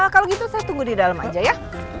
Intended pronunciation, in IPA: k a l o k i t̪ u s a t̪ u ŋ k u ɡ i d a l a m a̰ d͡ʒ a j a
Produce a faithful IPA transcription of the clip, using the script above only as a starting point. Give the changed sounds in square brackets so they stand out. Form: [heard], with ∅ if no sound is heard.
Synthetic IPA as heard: k a l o [ɡ] i t̪ u s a t̪ u ŋ [ɡ] u [d] i d a l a m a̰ d͡ʒ a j a